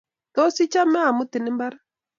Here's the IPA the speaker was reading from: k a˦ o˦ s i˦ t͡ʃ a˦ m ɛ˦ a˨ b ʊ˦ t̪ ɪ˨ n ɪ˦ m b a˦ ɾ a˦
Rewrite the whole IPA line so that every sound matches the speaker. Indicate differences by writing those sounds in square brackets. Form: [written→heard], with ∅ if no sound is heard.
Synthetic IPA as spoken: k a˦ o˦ s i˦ t͡ʃ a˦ m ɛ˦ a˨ [b→m] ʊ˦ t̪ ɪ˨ n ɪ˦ m b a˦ ɾ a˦

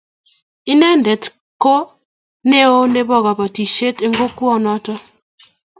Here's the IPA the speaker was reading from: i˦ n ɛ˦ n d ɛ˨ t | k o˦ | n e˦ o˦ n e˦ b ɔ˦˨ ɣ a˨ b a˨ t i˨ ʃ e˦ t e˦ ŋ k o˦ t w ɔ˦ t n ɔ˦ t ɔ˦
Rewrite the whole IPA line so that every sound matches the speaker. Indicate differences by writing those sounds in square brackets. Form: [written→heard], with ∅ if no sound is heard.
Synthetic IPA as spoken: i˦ n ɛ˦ n d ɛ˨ t | k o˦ | n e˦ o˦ n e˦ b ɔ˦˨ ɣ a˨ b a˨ t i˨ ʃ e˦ t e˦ ŋ [k→ɡ] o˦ [t→k] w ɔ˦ [t→∅] n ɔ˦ t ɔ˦

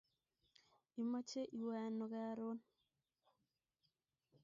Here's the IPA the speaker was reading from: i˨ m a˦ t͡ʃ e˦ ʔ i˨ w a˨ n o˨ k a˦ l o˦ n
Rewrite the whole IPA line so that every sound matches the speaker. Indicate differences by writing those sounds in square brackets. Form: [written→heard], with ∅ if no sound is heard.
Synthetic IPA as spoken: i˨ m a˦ t͡ʃ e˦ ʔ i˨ w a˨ n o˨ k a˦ [l→ɾ] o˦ n

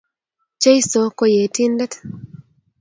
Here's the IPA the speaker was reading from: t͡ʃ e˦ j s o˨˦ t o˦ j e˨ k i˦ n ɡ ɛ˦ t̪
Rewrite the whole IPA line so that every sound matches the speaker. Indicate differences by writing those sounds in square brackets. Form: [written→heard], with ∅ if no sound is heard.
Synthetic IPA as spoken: t͡ʃ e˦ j s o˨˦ [t→k] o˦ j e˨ [k→t] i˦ n [ɡ→d] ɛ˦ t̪

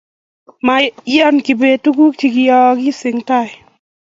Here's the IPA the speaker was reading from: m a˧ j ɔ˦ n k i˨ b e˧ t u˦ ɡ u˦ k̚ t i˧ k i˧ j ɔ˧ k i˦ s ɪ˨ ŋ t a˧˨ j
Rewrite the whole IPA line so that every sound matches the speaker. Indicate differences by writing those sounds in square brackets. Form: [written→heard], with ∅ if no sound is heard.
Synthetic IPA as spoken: m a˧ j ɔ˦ n k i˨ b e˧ t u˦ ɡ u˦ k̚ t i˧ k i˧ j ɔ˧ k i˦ s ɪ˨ ŋ t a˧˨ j

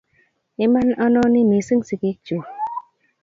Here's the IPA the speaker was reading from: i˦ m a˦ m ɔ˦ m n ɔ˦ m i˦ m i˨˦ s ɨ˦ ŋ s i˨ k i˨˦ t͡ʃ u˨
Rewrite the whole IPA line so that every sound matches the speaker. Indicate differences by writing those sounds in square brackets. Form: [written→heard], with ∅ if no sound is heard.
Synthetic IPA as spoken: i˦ m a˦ [m→n] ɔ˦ [m→∅] n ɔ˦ [m→n] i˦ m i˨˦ s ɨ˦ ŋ s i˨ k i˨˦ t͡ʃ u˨

